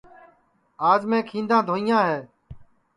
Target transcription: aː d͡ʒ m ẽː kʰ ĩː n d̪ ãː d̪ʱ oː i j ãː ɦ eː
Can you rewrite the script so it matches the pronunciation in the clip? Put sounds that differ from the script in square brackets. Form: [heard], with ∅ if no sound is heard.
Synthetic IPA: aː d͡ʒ m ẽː kʰ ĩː n d̪ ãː d̪ʱ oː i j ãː ɦ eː